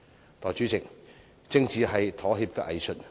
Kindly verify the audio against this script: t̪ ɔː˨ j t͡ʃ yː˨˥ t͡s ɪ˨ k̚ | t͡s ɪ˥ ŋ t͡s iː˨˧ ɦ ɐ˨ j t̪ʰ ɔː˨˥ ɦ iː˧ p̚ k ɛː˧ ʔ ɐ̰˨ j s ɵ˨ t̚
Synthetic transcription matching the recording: t̪ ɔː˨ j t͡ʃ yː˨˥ t͡s ɪ˨ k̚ | t͡s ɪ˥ ŋ t͡s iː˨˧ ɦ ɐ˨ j t̪ʰ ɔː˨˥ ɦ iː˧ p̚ k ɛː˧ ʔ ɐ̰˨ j s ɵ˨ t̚